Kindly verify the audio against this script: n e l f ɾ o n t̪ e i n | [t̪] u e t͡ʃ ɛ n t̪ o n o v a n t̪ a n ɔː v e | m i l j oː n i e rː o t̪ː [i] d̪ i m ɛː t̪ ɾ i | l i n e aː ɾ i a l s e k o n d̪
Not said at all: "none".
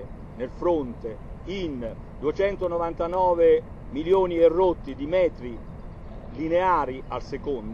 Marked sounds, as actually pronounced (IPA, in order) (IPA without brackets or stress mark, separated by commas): d̪, i